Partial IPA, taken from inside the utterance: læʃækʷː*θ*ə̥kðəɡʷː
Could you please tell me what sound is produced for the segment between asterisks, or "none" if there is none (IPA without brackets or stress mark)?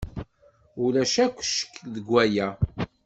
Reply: ʃ